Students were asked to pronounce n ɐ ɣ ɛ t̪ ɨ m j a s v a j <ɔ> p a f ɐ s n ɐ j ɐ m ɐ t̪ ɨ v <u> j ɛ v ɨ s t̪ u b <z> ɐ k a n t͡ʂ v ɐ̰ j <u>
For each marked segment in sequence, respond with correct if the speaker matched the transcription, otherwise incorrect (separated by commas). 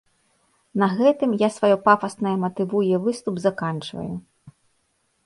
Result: correct, correct, correct, correct